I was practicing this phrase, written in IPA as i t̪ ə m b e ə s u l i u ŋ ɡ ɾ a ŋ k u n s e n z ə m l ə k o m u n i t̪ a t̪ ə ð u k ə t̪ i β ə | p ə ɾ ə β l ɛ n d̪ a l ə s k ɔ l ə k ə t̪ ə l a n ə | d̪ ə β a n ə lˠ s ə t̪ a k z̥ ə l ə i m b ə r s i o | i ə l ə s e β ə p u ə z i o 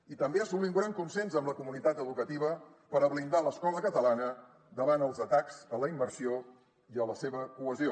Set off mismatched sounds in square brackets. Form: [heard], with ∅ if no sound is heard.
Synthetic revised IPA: i t̪ ə m b e ə s u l i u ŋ ɡ ɾ a ŋ k u n s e n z ə m l ə k [u] m u n i t̪ a t̪ ə ð u k ə t̪ i β ə | p ə ɾ ə β l [i] n d̪ a l ə s k ɔ l ə k ə t̪ ə l a n ə | d̪ ə β a n ə lˠ [z] ə t̪ a k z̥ ə l ə i m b ə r s i o | i ə l ə s e β ə [k] u ə z i o